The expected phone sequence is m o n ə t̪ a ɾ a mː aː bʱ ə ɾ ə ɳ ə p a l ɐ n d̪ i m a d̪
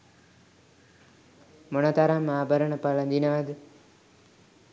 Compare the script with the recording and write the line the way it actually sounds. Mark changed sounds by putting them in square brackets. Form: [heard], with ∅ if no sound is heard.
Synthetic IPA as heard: m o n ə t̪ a ɾ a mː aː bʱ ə ɾ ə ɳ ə p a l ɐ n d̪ i [n] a d̪